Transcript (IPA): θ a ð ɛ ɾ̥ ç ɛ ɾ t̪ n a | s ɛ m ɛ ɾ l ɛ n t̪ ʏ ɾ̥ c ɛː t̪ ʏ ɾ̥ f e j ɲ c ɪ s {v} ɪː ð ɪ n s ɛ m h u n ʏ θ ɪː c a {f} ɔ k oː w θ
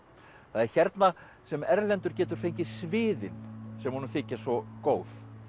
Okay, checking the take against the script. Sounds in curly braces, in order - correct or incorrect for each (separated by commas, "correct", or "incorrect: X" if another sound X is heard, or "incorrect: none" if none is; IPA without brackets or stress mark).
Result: correct, incorrect: s